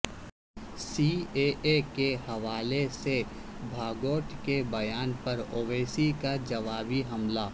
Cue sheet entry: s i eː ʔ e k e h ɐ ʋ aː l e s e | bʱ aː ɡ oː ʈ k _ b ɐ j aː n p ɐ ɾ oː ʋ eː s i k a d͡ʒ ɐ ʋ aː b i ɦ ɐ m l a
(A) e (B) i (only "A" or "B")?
A